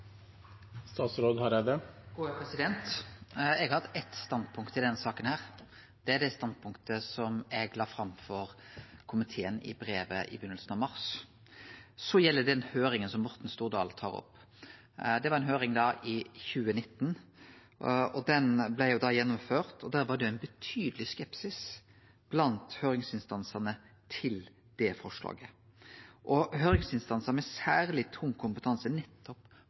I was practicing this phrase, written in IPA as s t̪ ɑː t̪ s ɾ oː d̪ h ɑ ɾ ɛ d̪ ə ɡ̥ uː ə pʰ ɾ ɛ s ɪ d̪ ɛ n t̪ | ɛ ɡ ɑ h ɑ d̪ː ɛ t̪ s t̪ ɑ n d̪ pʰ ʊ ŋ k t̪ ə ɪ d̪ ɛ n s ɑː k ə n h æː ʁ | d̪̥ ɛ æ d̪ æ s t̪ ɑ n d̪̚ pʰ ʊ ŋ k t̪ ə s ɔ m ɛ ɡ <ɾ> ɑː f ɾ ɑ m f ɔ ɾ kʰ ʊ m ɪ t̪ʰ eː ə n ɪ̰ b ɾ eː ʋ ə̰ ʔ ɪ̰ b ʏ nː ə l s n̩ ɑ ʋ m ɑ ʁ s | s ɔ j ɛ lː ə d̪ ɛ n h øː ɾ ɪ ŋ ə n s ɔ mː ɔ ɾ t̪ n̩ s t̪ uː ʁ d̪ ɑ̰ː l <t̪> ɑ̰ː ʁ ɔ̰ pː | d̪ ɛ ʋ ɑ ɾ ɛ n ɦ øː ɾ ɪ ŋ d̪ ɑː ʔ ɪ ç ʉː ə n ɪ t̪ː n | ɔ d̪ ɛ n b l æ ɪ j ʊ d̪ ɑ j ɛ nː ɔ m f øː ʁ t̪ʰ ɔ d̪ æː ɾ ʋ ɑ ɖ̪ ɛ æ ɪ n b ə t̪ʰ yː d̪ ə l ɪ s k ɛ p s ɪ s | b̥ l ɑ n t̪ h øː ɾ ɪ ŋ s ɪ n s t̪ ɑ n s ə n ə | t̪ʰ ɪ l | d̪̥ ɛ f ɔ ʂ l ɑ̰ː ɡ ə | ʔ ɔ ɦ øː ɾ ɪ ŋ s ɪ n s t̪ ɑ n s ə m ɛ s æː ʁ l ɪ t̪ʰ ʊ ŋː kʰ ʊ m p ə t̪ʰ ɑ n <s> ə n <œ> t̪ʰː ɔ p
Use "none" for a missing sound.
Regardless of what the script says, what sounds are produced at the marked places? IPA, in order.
l, t̪ʰ, s, ɛ

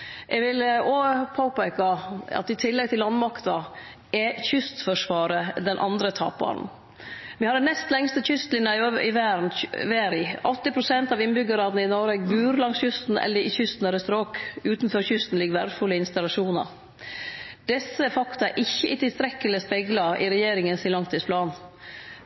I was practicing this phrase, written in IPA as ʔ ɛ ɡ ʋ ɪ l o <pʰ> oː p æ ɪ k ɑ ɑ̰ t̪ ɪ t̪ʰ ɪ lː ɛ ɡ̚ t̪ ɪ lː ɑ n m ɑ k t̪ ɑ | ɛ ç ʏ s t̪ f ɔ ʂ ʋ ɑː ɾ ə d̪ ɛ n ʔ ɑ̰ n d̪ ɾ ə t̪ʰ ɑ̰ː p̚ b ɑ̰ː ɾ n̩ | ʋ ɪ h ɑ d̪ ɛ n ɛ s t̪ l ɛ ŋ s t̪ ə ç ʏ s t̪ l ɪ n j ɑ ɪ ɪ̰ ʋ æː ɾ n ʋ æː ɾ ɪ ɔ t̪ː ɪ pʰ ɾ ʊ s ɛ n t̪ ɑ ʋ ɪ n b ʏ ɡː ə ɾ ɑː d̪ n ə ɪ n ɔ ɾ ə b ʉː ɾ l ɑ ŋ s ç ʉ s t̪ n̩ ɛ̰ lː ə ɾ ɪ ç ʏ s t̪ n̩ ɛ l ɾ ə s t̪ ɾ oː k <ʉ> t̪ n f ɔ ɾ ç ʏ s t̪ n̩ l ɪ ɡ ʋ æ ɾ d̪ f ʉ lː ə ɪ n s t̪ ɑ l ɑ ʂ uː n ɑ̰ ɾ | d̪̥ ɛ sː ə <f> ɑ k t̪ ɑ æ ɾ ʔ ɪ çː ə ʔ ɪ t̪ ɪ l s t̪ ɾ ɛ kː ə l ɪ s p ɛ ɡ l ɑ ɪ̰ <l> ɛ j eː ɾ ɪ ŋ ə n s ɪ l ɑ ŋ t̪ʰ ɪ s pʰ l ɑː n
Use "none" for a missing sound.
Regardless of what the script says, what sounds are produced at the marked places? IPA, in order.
pʰ, ʉː, f, ɾ

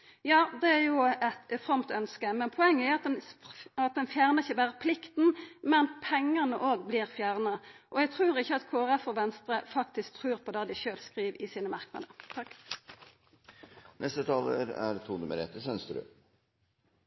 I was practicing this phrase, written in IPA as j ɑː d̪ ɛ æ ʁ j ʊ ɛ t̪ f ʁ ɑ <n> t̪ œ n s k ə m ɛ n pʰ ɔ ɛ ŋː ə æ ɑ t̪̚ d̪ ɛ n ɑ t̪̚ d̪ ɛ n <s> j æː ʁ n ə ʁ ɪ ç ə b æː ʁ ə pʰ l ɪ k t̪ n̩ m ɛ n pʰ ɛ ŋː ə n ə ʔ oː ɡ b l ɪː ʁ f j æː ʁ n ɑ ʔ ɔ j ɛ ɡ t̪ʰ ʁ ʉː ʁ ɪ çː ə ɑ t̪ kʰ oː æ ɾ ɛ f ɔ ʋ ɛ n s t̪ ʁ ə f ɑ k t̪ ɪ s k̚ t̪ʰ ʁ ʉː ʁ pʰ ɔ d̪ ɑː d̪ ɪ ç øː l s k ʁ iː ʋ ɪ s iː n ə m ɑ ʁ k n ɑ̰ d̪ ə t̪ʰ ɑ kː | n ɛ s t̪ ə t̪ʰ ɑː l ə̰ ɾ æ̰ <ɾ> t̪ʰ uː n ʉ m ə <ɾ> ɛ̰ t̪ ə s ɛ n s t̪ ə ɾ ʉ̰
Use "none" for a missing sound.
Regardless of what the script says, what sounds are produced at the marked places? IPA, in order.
m, f, ɾ, ɾ

